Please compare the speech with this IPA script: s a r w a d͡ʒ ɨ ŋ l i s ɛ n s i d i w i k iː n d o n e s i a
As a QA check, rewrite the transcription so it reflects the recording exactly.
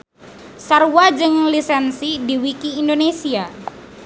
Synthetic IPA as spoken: s a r w a d͡ʒ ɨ ŋ l i s ɛ n s i d i w i k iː n d o n e s i a